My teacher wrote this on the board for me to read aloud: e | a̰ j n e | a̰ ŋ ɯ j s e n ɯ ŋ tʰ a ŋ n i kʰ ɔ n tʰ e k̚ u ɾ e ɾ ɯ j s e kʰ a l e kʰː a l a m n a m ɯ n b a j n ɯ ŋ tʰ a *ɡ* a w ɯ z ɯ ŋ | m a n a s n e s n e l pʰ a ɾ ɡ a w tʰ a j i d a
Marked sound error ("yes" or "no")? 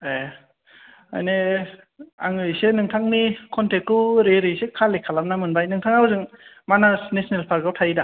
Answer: yes